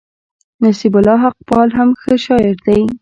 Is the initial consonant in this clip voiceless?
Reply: no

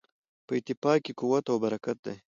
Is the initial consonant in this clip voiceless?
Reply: yes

